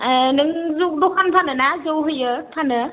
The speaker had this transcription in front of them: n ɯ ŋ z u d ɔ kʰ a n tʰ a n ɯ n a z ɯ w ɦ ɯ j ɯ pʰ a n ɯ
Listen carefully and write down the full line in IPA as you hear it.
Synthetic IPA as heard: n ɯ ŋ z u d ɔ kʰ a n pʰ a n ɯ n a z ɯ w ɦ ɯ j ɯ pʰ a n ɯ